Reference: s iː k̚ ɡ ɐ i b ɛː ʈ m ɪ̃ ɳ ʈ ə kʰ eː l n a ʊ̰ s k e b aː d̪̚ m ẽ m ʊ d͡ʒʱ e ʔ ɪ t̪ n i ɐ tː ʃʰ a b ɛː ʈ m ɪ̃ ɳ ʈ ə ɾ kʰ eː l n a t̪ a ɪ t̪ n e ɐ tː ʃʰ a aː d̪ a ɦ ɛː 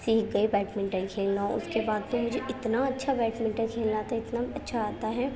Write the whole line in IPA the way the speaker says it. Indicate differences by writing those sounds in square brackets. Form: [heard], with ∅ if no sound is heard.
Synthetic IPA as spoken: s iː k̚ ɡ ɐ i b ɛː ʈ m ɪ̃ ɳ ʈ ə kʰ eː l n a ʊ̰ s k e b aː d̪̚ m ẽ m ʊ d͡ʒʱ e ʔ ɪ t̪ n [a] ɐ tː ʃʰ a b ɛː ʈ m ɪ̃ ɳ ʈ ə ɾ kʰ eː l n a t̪ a ɪ t̪ n [a] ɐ tː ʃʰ a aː [t̪] a ɦ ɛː